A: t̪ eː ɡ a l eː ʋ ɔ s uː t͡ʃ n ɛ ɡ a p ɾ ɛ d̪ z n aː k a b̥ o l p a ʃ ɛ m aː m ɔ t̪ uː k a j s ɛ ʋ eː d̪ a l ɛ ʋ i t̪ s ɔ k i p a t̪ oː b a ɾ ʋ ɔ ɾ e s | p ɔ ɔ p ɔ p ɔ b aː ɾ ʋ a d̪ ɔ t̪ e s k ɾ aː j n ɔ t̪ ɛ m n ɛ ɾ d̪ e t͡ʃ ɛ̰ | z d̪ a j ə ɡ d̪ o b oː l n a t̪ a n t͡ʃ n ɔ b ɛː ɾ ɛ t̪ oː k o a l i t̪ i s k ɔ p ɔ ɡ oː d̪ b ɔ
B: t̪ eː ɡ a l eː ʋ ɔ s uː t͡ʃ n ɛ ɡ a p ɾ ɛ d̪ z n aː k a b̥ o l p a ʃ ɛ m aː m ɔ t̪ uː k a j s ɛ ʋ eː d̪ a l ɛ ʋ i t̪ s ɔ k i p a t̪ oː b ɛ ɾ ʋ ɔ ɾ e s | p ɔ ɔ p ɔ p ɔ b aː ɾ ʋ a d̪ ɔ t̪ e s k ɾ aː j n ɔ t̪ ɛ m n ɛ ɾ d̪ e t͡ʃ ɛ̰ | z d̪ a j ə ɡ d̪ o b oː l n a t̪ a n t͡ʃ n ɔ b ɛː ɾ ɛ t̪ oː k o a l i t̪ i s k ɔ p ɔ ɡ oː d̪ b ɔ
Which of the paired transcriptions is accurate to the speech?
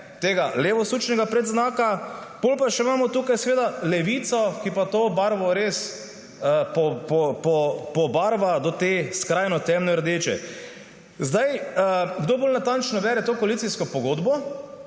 A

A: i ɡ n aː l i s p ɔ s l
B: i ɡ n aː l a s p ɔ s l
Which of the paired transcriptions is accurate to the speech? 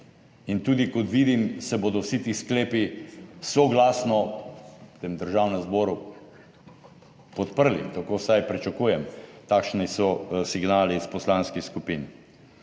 A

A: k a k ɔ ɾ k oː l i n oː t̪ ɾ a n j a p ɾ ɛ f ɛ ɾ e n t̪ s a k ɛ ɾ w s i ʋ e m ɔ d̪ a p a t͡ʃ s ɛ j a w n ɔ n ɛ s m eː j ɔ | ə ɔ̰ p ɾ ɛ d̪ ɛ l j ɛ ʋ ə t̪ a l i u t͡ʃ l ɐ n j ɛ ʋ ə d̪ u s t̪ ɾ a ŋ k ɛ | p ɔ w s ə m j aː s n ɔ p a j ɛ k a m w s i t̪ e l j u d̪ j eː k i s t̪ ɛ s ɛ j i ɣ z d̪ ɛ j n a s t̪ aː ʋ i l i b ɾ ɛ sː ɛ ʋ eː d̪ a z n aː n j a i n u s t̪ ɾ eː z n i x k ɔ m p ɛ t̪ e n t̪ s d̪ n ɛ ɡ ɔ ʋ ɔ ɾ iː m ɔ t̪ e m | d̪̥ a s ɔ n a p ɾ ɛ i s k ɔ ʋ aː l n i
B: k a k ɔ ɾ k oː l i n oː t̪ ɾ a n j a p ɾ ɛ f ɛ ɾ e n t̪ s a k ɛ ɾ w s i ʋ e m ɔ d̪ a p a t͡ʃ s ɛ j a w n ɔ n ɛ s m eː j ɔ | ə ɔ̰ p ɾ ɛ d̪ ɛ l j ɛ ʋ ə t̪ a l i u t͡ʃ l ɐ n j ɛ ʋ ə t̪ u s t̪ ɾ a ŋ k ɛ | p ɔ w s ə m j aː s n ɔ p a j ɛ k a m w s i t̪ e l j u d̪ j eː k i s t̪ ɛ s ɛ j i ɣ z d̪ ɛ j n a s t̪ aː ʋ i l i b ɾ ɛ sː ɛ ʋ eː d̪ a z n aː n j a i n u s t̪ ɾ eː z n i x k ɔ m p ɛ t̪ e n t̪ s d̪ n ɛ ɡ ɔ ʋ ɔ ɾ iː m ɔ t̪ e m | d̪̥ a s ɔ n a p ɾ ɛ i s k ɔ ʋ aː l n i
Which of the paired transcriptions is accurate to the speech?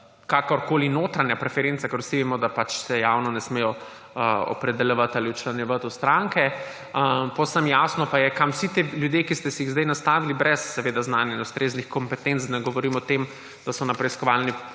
B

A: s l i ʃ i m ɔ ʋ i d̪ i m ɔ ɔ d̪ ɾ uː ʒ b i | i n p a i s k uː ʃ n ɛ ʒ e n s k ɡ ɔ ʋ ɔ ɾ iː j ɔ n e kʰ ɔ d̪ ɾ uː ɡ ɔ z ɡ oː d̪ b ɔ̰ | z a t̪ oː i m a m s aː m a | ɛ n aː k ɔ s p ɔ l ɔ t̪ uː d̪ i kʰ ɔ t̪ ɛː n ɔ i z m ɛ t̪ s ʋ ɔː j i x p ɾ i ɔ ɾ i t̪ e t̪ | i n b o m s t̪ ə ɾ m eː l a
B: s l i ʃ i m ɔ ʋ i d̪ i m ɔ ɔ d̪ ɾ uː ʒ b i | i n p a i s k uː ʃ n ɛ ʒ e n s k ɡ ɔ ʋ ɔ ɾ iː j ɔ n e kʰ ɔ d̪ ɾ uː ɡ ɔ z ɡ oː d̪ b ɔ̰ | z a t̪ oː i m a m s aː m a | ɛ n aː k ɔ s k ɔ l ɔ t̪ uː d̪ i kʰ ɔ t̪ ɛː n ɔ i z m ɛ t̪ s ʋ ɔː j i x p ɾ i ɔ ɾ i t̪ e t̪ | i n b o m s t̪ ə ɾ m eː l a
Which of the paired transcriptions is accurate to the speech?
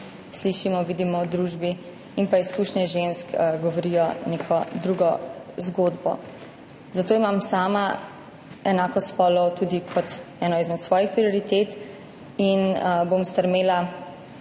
A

